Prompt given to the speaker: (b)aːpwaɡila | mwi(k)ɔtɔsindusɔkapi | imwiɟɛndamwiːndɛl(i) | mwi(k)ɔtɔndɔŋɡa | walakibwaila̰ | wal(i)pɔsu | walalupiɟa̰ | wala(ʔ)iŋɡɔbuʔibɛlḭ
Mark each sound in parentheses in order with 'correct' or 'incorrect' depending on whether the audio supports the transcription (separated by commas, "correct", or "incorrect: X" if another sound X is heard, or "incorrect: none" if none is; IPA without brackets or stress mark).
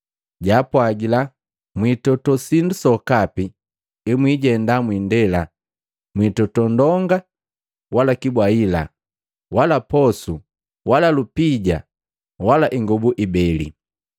incorrect: ɟ, incorrect: t, incorrect: a, incorrect: t, incorrect: a, correct